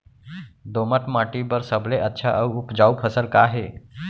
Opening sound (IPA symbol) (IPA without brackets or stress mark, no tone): d̪